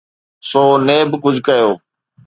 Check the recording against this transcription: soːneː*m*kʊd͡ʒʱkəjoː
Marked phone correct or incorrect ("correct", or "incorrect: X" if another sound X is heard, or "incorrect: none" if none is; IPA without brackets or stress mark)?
incorrect: b